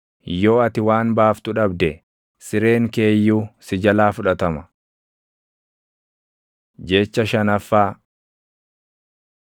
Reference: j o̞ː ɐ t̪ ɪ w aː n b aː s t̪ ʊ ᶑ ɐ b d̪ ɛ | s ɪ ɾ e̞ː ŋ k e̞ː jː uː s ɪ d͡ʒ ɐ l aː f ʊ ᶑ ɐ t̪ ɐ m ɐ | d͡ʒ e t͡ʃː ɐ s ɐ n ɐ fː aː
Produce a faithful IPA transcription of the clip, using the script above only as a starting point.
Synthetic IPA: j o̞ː ɐ t̪ ɪ w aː n b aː f t̪ ʊ ᶑ ɐ b d̪ ɛ | s ɪ ɾ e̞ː ŋ k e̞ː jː uː s ɪ d͡ʒ ɐ l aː f ʊ ᶑ ɐ t̪ ɐ m ɐ | d͡ʒ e t͡ʃː ɐ ʃ ɐ n ɐ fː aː